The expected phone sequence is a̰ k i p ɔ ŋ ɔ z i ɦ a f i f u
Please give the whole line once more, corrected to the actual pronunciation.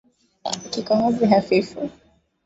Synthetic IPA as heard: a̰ k i k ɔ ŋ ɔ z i ɦ a f i f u